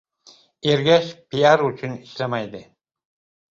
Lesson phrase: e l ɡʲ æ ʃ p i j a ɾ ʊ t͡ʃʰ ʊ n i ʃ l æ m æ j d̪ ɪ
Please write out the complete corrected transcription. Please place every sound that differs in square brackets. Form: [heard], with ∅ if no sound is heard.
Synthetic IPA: e [ɾ] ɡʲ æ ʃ p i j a ɾ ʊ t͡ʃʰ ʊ n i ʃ l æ m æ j d̪ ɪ